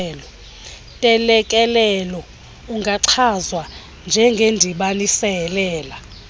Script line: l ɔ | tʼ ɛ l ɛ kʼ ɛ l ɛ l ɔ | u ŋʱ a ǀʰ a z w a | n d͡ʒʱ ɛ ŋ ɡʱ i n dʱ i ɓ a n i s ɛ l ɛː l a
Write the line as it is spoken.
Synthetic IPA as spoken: l ɔ | tʼ ɛ l ɛ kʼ ɛ l ɛ l ɔ | u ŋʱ a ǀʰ a z w a | n d͡ʒʱ ɛ ŋ ɡʱ e n dʱ i ɓ a n i s ɛ l ɛː l a